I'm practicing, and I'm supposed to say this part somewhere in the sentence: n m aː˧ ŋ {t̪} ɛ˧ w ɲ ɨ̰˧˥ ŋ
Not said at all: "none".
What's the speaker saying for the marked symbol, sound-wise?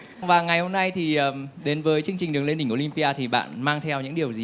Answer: t̪ʰ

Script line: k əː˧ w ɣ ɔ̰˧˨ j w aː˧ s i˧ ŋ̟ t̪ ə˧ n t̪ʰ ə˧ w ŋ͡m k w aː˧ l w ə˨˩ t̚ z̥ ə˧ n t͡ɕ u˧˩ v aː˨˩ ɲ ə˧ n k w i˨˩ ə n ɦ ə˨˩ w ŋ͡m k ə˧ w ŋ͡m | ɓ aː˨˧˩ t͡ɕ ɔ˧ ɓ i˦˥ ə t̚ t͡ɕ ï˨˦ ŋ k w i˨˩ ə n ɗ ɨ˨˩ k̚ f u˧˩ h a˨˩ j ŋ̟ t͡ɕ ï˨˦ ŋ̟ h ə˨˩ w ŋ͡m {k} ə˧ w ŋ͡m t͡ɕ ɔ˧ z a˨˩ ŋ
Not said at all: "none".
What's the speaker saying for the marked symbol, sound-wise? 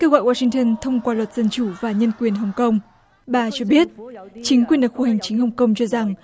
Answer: k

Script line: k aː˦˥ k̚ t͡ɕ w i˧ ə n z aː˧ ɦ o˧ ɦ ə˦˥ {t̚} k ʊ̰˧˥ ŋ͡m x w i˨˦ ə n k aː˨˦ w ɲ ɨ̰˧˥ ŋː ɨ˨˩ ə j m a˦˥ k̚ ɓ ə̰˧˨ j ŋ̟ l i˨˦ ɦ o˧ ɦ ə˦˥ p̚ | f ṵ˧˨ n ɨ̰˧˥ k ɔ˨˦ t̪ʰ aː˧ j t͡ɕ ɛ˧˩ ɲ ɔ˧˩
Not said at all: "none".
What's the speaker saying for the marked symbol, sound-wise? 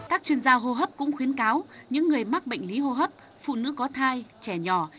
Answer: p̚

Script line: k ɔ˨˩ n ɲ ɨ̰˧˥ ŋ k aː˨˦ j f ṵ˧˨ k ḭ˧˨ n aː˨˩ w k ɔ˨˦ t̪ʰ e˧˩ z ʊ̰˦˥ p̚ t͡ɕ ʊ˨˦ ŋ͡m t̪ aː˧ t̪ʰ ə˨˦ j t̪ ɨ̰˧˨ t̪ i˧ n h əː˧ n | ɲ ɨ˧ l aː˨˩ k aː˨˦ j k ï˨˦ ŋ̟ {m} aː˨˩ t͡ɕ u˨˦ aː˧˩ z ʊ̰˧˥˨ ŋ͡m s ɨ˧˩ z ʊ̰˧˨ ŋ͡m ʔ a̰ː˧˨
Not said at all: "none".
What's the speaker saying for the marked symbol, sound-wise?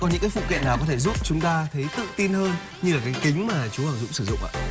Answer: m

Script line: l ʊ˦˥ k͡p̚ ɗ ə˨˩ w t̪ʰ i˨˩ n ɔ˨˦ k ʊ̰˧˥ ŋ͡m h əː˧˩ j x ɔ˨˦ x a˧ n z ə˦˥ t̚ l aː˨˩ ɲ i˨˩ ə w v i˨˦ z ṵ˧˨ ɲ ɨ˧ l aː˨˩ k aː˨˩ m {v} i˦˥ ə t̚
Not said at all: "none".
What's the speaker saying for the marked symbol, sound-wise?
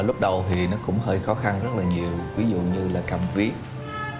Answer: v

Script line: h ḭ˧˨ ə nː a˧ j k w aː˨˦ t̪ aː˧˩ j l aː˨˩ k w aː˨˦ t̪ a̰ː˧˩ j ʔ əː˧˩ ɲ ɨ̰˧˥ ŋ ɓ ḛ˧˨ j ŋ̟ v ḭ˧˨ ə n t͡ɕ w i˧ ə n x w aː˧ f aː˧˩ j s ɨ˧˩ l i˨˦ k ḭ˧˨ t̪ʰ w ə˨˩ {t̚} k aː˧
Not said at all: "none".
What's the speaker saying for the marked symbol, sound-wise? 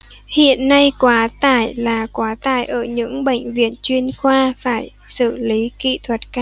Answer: t̚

